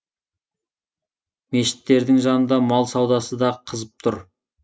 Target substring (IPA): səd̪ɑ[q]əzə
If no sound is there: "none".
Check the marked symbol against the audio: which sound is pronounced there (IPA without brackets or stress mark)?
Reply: qʰ